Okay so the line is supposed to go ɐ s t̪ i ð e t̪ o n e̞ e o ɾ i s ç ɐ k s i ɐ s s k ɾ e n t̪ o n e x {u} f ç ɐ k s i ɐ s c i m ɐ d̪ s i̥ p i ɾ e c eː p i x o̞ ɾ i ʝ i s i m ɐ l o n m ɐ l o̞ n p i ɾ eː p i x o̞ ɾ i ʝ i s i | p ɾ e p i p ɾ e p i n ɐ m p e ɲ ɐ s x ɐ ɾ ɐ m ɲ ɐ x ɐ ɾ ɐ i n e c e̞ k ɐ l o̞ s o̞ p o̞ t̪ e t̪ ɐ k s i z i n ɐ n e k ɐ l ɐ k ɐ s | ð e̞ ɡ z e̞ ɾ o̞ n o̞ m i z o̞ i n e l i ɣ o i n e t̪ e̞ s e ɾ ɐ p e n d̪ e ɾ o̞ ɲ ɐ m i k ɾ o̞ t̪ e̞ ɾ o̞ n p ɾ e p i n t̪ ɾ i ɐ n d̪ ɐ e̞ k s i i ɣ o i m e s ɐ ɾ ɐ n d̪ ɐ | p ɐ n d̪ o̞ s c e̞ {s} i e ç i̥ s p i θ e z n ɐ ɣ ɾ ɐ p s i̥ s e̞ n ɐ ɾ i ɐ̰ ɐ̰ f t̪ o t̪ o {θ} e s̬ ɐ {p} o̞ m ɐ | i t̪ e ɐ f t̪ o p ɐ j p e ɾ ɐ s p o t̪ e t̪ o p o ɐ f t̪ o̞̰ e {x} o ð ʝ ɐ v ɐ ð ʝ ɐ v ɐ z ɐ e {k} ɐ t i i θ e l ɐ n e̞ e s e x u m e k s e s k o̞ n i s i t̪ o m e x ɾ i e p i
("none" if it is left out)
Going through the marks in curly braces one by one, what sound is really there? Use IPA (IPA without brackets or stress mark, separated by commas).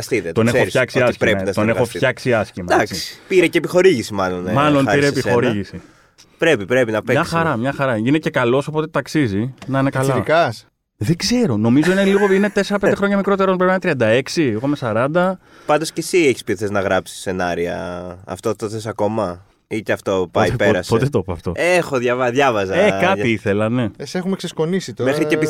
o, s, θ, k, x, k